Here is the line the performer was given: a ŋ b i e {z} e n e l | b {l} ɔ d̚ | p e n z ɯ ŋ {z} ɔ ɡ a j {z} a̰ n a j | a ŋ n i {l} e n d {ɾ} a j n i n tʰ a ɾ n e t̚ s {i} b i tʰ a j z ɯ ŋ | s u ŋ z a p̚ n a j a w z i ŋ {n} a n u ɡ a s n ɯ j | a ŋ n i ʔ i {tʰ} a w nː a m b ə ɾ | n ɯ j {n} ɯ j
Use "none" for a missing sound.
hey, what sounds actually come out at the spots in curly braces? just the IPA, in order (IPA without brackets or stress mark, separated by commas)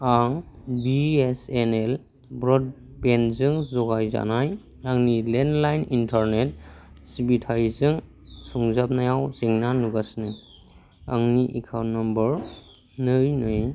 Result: s, ɾ, z, z, l, l, i, n, kʰ, n